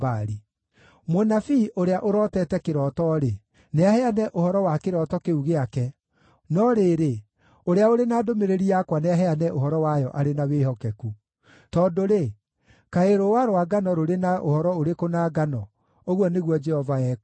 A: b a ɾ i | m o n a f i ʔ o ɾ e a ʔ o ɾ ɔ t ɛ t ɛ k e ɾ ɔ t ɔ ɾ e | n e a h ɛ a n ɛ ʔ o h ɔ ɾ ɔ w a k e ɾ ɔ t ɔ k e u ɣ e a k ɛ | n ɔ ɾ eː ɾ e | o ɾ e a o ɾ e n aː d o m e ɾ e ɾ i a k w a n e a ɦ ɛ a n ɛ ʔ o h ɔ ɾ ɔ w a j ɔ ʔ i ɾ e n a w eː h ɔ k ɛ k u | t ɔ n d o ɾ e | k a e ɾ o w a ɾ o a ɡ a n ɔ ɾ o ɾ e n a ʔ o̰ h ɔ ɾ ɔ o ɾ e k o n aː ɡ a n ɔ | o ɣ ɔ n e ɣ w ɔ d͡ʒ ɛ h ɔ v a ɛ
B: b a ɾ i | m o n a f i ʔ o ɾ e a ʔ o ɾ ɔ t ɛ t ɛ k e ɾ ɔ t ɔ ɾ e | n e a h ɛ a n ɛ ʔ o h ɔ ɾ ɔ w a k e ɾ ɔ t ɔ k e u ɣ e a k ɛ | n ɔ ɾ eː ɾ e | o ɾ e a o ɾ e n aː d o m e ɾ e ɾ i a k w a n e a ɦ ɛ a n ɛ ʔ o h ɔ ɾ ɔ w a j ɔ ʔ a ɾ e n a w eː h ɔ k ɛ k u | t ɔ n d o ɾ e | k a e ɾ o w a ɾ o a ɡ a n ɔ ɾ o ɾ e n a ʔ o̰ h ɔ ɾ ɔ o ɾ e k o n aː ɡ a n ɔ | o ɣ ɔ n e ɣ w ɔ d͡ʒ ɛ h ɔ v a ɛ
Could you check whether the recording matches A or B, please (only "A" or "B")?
B